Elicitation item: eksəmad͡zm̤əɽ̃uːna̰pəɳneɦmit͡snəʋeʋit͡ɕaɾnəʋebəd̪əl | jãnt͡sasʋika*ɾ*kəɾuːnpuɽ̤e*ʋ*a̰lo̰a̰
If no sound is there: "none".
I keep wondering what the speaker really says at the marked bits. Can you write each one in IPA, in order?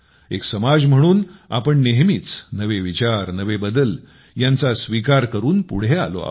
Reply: ɾ, none

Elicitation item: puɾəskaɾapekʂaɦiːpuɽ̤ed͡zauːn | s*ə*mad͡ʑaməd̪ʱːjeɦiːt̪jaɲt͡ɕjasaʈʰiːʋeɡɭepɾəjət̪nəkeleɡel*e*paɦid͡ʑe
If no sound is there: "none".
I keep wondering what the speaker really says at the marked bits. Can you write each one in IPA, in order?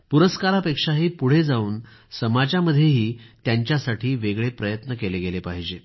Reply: ə, e

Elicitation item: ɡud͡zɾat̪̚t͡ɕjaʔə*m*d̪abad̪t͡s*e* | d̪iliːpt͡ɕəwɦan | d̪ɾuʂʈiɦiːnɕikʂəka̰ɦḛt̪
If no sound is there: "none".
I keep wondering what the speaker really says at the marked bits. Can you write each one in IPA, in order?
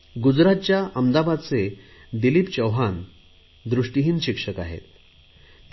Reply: m, e

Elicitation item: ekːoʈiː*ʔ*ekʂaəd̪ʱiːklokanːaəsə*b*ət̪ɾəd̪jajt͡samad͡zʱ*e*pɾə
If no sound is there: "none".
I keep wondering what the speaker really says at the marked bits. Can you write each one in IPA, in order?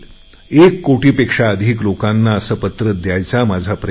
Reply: p, p, a

